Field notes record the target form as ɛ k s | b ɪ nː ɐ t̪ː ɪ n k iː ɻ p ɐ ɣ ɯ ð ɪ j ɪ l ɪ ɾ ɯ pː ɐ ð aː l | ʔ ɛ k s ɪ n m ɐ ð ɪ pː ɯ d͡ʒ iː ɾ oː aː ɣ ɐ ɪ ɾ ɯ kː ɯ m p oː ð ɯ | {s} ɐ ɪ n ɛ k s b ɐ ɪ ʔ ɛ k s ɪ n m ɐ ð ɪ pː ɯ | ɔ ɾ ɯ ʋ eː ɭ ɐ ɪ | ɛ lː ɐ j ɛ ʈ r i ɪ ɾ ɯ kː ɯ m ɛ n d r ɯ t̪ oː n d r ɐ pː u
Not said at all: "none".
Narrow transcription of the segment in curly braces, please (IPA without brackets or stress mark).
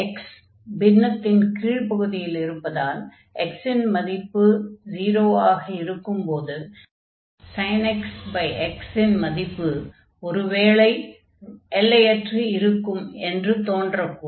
s